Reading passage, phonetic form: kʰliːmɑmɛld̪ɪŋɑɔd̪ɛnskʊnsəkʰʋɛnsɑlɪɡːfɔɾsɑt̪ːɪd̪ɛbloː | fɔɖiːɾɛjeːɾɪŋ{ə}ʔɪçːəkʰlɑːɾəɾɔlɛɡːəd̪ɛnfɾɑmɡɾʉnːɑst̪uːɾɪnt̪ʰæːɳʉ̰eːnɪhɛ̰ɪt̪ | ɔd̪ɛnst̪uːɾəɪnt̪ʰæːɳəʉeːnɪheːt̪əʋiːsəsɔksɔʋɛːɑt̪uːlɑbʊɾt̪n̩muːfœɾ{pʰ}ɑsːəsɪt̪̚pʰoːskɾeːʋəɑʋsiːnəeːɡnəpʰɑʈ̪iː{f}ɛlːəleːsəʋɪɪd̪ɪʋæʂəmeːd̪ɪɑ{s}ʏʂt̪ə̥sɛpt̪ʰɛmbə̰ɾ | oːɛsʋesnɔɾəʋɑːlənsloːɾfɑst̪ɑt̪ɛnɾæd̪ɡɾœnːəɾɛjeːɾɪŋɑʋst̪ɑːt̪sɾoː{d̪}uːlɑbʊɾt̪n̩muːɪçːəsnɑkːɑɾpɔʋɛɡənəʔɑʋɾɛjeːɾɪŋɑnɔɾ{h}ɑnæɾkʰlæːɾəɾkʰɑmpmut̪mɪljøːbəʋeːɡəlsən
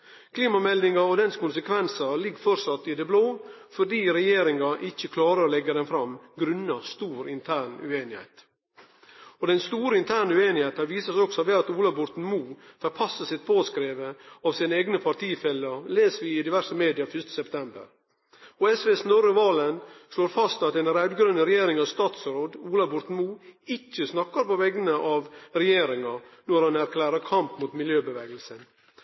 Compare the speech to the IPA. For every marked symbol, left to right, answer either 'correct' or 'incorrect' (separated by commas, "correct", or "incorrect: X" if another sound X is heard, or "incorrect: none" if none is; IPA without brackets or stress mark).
incorrect: ɑ, correct, correct, incorrect: f, correct, correct